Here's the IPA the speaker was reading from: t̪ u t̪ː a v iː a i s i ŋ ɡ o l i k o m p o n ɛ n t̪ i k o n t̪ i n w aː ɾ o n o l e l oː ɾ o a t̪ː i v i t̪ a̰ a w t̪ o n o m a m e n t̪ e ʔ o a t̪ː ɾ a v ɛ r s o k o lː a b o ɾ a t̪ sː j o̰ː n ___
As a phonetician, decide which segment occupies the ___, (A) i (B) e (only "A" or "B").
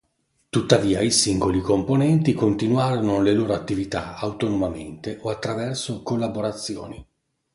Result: A